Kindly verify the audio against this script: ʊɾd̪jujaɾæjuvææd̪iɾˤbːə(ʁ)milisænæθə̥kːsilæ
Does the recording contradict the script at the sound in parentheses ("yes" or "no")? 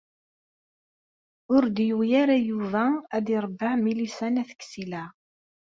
yes